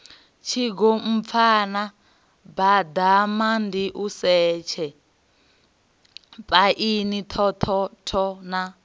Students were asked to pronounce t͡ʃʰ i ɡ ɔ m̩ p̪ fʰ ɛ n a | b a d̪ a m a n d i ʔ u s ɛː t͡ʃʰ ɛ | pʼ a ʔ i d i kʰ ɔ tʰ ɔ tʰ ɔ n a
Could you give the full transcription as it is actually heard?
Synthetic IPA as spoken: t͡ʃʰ i ɡ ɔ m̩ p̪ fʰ a n a | b a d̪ a m a n d i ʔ u s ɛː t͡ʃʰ ɛ | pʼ a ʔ i n i tʰ ɔ tʰ ɔ tʰ ɔ n a